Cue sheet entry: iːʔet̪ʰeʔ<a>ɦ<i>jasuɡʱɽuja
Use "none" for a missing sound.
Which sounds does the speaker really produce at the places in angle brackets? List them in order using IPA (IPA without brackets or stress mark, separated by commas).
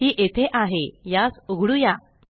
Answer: a, e